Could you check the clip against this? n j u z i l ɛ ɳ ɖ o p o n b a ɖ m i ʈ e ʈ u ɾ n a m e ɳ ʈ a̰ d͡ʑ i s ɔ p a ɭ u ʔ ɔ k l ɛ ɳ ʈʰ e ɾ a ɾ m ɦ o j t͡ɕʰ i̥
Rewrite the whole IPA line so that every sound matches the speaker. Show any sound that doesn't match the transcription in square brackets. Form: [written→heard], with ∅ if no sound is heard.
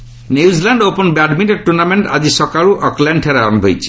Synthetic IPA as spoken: n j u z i l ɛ ɳ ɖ o p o n b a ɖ m i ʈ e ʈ u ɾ n a m e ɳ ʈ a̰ d͡ʑ i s ɔ [p→k] a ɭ u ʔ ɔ k l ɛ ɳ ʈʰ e ɾ a ɾ m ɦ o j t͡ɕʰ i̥

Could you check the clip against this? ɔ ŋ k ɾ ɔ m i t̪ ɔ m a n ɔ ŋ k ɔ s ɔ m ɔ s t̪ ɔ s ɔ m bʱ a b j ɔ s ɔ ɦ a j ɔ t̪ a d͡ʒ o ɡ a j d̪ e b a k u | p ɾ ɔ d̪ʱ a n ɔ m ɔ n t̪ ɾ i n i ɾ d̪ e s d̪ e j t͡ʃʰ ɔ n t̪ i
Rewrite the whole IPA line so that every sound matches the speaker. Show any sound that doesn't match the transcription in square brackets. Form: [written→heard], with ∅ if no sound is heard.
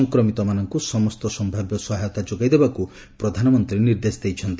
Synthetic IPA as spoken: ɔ ŋ k ɾ ɔ m i t̪ ɔ m a n ɔ ŋ k [ɔ→u] s ɔ m ɔ s t̪ ɔ s ɔ m bʱ a b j ɔ s ɔ ɦ a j ɔ t̪ a d͡ʒ o ɡ a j d̪ e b a k u | p ɾ ɔ d̪ʱ a n ɔ m ɔ n t̪ ɾ i n i ɾ d̪ e s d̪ e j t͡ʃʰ ɔ n t̪ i

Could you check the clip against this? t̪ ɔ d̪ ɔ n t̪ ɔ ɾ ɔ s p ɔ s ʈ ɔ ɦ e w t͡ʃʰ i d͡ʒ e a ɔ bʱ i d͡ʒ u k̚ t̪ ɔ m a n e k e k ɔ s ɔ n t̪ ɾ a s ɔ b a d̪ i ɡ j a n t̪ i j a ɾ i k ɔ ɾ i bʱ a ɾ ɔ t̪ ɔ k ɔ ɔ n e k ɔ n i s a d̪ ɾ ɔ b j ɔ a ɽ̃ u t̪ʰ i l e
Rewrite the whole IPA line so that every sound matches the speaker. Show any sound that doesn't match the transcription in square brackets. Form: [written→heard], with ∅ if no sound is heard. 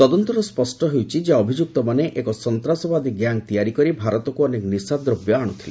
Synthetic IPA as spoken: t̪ ɔ d̪ ɔ n t̪ ɔ ɾ ɔ s p ɔ s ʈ ɔ ɦ e w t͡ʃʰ i d͡ʒ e a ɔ bʱ i d͡ʒ u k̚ t̪ ɔ m a n e [k→ʔ] e k ɔ s ɔ n t̪ ɾ a s ɔ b a d̪ i ɡ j a [n→ŋ] t̪ i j a ɾ i k ɔ ɾ i bʱ a ɾ ɔ t̪ ɔ k [ɔ→u] ɔ n e k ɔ n i s a d̪ ɾ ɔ b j ɔ a ɽ̃ u t̪ʰ i l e

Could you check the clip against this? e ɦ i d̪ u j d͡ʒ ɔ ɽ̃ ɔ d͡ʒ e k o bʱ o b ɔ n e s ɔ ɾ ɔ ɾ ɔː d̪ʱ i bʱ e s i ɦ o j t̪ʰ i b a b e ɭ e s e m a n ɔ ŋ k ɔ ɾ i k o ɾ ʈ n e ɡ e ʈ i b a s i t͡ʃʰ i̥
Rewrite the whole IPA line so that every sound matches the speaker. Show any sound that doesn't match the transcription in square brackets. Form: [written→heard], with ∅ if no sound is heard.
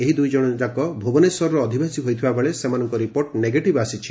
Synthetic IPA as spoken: e ɦ i d̪ u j d͡ʒ ɔ ɽ̃ ɔ d͡ʒ [e→a] k [o→ɔ] bʱ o b ɔ n e s ɔ ɾ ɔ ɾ ɔː d̪ʱ i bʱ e s i ɦ o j t̪ʰ i b a b e ɭ e s e m a n ɔ ŋ k ɔ ɾ i [k→p] o ɾ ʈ n e ɡ e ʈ i b a s i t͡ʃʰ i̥

